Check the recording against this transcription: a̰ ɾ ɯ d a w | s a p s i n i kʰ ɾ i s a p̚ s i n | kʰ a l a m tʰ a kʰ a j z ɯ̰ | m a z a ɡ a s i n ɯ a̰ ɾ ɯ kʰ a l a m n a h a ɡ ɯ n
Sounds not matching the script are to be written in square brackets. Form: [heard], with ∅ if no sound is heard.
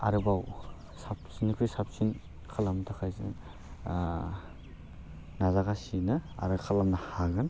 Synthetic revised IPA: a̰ ɾ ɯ [b] a w | s a p s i n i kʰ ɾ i s a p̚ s i n | kʰ a l a m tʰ a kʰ a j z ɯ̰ | [n] a z a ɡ a s i n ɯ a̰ ɾ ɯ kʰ a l a m n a h a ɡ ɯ n